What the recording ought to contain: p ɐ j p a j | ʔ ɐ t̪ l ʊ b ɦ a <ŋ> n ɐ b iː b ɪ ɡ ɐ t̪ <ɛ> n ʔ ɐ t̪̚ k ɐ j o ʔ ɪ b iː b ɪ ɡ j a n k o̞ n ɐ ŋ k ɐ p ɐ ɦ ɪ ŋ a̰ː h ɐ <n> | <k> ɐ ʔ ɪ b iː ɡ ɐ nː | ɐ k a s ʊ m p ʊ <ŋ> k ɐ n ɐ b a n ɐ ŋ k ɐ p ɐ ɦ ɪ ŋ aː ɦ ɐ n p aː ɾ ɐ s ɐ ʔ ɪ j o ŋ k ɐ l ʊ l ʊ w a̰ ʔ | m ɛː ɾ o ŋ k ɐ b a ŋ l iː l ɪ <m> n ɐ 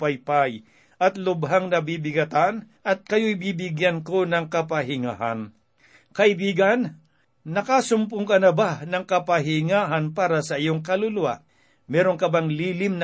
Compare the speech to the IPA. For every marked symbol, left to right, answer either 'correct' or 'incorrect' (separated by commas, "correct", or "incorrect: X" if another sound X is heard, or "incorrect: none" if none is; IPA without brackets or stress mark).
correct, incorrect: a, correct, correct, correct, correct